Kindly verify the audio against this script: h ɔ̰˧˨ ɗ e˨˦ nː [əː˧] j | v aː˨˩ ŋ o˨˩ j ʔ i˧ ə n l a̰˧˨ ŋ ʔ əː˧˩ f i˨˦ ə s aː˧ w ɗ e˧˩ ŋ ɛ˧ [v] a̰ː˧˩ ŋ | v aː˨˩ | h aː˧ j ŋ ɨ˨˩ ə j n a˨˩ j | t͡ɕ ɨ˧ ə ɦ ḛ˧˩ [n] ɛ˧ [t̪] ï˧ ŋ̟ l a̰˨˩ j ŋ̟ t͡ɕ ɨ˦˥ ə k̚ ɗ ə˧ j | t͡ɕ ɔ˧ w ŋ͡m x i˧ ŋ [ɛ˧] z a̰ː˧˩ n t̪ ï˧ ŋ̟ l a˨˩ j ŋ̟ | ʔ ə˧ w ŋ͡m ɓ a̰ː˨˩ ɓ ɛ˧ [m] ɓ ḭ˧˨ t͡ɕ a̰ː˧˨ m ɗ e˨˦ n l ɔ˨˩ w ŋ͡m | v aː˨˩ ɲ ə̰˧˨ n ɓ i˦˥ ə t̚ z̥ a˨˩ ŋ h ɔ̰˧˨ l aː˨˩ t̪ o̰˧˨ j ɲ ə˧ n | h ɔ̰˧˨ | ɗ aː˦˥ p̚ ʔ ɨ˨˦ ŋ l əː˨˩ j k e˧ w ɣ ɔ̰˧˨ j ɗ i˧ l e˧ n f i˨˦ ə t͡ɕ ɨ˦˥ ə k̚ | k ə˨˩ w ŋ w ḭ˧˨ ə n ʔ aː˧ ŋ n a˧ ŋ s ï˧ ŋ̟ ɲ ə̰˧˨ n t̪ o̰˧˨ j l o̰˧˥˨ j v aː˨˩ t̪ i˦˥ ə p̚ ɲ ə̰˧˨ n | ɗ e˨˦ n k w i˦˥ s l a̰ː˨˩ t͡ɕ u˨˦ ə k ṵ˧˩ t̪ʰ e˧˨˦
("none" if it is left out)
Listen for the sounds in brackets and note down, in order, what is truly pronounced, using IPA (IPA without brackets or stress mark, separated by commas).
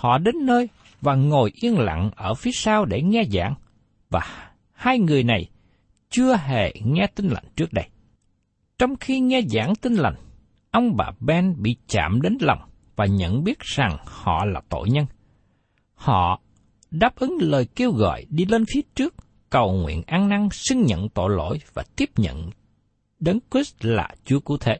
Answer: əː˧, z, ŋ, t̪, ɛ˧, n